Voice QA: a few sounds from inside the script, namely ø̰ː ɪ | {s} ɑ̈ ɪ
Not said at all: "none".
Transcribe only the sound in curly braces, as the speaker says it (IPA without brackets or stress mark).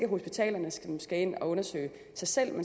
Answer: s